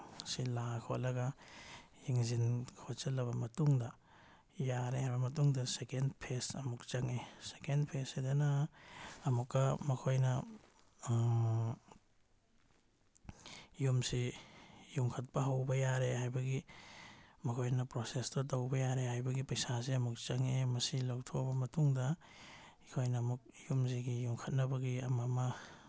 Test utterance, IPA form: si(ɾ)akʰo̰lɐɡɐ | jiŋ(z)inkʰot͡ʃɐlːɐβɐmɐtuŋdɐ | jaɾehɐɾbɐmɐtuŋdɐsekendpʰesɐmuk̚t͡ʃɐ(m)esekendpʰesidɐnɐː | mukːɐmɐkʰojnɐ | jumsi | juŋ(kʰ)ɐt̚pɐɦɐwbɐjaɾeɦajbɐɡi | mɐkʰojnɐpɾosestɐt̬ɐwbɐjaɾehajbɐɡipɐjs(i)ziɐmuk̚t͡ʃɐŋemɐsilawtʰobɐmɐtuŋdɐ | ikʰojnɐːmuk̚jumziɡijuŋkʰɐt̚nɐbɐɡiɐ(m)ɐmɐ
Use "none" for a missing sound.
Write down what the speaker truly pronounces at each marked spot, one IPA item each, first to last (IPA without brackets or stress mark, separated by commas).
l, z, ŋ, kʰ, a, m